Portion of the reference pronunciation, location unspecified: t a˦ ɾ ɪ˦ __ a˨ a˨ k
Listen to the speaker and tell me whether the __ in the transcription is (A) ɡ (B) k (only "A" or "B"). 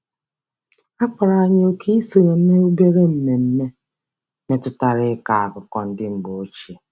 B